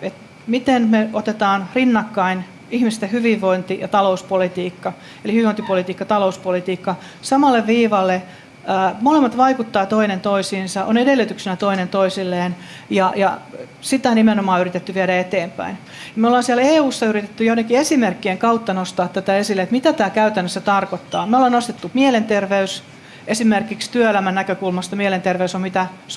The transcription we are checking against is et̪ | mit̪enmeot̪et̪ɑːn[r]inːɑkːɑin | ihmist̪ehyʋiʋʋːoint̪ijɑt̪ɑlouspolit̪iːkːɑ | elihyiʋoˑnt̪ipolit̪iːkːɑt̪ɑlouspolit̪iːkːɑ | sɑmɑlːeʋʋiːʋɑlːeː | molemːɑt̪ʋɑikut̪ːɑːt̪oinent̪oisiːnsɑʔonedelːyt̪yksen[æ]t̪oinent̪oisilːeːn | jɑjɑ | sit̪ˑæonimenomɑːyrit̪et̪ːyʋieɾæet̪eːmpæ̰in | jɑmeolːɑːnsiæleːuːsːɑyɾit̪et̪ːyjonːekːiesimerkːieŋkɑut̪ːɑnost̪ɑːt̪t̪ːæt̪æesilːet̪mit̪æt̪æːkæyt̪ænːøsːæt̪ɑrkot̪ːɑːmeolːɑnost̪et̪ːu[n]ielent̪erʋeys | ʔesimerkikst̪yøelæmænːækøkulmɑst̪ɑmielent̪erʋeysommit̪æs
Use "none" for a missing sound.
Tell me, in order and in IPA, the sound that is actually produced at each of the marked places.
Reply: r, æ, m

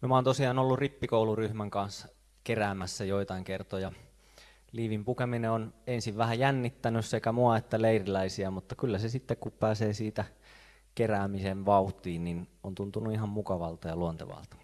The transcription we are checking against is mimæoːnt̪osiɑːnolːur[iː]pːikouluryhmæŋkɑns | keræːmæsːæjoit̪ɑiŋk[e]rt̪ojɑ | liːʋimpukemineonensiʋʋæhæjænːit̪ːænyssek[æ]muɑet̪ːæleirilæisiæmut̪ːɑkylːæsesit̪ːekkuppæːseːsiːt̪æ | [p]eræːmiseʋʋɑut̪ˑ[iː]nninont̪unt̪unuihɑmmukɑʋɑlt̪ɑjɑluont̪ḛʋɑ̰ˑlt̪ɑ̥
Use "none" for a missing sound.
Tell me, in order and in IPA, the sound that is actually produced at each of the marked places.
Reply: i, e, æ, k, iː

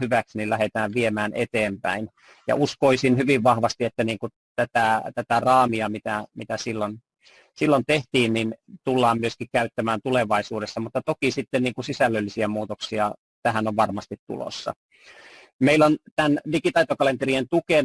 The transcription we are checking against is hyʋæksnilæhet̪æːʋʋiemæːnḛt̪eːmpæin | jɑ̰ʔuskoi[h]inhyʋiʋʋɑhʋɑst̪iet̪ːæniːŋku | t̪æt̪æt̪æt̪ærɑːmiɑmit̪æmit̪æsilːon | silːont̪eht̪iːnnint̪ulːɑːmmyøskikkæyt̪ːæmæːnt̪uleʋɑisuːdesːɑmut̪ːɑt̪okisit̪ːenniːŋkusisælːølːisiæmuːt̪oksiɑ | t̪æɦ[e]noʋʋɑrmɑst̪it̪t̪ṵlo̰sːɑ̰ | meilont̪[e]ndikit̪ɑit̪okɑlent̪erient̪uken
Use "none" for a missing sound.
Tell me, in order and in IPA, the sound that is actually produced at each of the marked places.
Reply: s, æ, æ

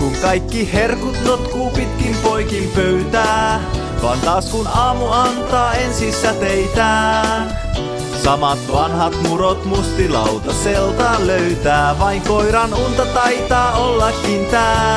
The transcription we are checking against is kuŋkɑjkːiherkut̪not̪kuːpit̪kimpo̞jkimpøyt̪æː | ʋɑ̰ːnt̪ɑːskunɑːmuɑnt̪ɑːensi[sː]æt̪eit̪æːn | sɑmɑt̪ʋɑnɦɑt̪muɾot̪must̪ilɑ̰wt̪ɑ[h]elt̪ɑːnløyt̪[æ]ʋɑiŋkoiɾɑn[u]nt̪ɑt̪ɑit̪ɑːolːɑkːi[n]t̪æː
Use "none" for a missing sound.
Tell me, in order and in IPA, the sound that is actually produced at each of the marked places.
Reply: sː, s, æː, u, n

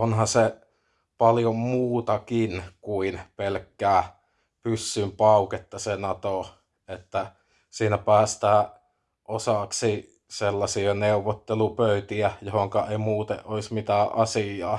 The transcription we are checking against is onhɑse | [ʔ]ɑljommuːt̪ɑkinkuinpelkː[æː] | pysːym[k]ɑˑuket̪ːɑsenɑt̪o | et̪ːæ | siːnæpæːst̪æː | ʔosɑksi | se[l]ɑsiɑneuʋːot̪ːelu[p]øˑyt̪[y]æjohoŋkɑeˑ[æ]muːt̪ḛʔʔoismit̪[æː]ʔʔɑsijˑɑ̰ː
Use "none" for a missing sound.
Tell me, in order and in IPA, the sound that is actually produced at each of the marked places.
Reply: p, æː, p, lː, p, i, i, æː

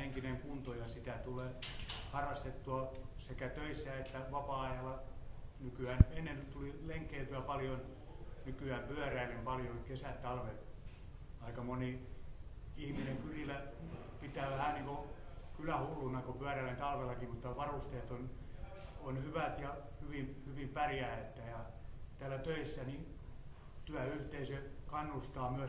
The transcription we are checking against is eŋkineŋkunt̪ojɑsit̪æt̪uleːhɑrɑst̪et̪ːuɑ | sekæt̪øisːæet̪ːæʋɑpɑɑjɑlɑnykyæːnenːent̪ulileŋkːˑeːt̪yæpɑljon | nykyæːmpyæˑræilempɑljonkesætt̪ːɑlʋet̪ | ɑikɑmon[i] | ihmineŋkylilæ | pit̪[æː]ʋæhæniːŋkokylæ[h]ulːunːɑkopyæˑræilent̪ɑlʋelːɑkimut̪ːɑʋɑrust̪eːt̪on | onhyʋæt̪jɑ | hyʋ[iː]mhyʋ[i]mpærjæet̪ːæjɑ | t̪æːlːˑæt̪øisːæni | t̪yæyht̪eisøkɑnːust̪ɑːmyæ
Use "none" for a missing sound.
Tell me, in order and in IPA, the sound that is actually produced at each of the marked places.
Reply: i, æː, h, i, i

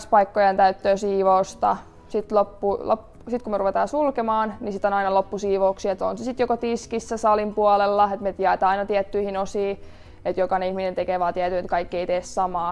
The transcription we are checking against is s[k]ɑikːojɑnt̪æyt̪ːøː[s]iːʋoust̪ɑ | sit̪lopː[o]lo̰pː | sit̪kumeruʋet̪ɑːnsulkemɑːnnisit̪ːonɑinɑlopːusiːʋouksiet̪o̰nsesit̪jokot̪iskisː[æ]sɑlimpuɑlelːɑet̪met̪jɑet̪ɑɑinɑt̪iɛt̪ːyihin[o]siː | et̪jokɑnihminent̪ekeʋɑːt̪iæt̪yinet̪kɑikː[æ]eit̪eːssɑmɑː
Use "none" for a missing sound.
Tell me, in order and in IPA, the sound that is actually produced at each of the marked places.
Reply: p, s, u, æ, o, i

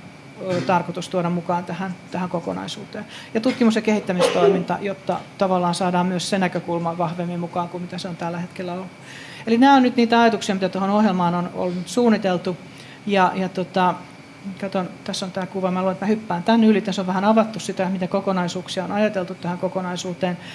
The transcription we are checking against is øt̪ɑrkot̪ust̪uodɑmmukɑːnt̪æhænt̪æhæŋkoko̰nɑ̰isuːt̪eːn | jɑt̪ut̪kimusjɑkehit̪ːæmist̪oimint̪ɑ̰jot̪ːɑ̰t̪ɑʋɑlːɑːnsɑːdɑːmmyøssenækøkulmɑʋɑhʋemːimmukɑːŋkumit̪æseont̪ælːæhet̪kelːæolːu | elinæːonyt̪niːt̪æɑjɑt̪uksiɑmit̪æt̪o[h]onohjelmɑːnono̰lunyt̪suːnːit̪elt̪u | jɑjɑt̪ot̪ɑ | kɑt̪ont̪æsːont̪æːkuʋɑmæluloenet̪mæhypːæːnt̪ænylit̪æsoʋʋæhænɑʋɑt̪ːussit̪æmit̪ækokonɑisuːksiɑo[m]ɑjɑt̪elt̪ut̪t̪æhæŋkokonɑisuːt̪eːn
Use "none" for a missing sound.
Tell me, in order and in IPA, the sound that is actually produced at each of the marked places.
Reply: h, n

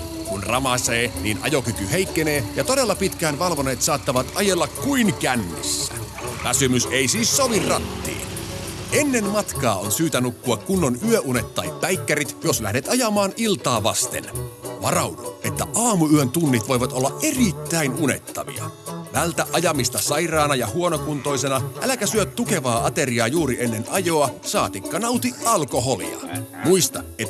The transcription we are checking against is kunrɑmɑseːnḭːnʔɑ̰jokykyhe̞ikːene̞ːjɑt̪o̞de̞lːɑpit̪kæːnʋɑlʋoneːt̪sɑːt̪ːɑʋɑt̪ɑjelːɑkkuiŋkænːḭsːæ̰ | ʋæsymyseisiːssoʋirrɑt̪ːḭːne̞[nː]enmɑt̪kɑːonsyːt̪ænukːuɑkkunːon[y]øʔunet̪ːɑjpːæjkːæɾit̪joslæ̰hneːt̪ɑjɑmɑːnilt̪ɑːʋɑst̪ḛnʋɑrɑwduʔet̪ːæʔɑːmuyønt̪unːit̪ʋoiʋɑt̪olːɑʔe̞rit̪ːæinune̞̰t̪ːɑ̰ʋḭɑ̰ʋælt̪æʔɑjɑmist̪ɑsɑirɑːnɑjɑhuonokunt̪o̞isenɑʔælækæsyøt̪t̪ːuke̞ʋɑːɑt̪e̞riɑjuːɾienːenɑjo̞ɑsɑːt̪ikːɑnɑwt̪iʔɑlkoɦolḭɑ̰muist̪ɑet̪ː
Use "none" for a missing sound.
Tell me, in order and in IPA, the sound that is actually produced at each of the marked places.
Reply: nː, y

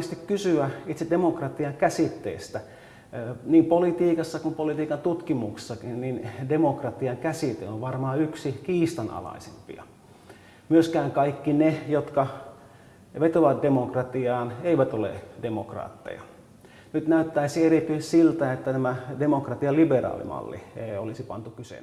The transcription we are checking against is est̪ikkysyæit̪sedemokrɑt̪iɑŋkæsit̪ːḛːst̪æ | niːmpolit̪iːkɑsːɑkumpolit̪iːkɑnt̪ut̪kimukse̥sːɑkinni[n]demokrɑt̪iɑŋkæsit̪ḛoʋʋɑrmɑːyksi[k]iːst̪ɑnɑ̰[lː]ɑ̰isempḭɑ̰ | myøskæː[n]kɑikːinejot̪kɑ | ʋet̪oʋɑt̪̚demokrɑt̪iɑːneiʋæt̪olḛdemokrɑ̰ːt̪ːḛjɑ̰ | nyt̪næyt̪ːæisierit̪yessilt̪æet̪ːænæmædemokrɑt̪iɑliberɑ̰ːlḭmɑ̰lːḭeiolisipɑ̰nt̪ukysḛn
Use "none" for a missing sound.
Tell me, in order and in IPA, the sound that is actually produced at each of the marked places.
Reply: n, k, l, ŋ

